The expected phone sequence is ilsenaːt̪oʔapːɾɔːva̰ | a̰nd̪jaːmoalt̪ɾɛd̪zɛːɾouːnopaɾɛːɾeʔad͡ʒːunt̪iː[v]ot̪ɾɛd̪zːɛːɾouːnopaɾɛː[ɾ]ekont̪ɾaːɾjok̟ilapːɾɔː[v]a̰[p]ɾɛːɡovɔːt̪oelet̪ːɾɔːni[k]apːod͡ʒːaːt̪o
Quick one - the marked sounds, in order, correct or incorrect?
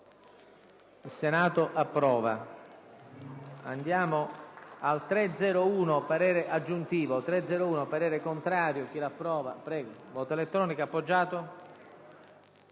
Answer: correct, correct, correct, correct, correct

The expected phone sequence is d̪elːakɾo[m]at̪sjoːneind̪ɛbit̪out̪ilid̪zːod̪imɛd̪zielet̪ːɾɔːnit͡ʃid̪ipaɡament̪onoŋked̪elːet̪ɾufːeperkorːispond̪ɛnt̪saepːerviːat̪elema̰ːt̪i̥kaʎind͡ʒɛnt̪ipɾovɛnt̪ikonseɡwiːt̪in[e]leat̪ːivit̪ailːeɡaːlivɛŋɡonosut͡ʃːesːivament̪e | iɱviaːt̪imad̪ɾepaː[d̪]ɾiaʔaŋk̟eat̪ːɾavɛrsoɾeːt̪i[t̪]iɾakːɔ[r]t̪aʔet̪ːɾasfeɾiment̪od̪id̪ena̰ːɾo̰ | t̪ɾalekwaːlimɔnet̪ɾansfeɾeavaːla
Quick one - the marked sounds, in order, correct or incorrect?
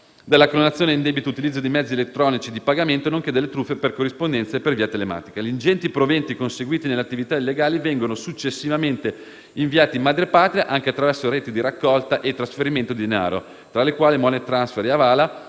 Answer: incorrect, correct, incorrect, incorrect, incorrect

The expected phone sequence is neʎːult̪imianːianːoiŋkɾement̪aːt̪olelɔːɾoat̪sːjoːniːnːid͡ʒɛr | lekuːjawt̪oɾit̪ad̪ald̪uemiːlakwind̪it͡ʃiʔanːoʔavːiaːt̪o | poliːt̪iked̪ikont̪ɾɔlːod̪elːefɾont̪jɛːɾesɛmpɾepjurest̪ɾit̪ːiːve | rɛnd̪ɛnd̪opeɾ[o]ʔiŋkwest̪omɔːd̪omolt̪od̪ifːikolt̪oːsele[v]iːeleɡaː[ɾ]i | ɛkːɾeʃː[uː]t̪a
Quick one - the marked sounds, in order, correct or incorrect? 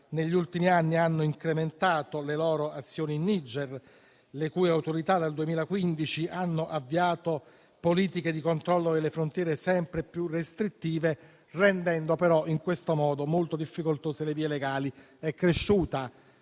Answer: incorrect, correct, incorrect, correct

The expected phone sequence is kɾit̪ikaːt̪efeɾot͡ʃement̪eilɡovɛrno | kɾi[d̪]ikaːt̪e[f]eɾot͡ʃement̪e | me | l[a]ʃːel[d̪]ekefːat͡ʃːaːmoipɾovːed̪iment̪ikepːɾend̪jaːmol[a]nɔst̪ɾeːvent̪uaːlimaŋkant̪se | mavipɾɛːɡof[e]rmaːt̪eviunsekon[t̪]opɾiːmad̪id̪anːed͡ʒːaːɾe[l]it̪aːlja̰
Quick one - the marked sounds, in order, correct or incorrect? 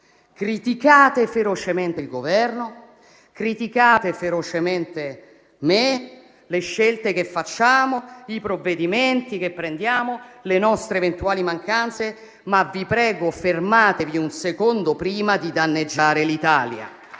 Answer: incorrect, correct, incorrect, incorrect, incorrect, correct, incorrect, correct

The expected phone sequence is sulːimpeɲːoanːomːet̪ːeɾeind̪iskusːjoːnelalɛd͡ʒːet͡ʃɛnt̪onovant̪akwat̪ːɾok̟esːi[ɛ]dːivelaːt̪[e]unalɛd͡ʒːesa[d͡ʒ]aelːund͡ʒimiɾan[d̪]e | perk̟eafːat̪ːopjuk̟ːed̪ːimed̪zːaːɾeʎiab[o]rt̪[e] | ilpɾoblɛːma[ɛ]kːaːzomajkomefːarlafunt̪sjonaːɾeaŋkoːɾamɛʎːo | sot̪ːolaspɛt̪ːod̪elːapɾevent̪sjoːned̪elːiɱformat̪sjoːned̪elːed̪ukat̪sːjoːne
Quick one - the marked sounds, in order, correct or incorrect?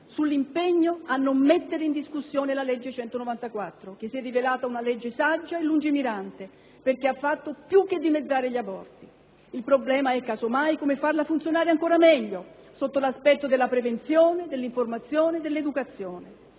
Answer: correct, incorrect, incorrect, incorrect, incorrect, incorrect, correct

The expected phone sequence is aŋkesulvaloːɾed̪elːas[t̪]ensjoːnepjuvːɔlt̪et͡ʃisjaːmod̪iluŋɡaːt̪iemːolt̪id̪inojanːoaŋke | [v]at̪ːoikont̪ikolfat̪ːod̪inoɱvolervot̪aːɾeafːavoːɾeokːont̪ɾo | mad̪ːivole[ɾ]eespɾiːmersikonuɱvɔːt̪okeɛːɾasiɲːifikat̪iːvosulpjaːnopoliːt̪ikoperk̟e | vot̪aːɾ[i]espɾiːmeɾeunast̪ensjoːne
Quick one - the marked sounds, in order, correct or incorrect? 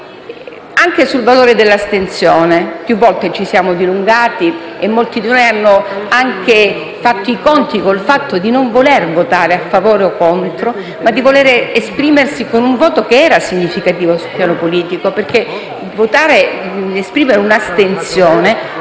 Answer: correct, incorrect, correct, incorrect

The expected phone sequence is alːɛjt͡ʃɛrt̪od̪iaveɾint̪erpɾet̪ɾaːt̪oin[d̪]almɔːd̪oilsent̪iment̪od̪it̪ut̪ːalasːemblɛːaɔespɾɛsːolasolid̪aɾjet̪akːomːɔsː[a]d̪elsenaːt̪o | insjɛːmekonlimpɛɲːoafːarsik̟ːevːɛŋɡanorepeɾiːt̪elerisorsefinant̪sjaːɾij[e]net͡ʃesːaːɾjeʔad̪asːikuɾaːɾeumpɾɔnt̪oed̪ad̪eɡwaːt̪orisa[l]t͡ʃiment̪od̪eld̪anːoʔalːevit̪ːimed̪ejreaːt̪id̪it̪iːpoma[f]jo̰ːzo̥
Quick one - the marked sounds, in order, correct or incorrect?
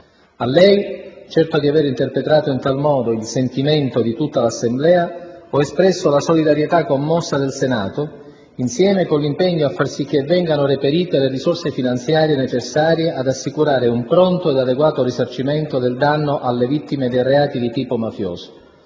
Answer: incorrect, correct, correct, incorrect, correct

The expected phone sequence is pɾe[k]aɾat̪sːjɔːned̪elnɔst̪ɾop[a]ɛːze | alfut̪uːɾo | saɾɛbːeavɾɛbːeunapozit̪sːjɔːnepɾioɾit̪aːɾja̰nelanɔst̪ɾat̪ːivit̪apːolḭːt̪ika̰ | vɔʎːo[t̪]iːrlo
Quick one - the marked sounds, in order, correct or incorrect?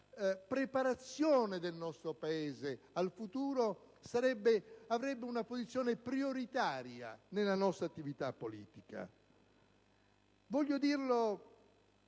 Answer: incorrect, correct, incorrect

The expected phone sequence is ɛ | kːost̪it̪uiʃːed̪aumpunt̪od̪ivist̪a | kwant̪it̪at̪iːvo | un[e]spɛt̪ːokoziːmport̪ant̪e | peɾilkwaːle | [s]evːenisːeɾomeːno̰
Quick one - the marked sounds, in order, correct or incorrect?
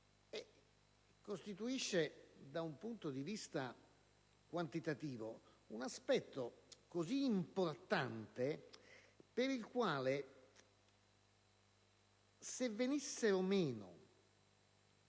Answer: incorrect, correct

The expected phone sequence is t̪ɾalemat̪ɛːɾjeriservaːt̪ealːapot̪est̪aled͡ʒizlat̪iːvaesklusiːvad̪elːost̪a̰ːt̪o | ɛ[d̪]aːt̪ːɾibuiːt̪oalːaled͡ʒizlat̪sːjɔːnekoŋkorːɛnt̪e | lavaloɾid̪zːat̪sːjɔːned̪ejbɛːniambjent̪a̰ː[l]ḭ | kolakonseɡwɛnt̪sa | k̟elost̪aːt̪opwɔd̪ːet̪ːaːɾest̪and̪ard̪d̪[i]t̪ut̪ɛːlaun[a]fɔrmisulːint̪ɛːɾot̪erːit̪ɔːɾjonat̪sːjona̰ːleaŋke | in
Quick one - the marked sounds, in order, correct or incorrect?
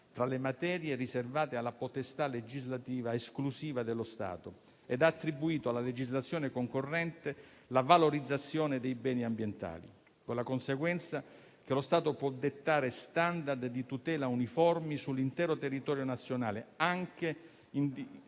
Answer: correct, correct, correct, incorrect

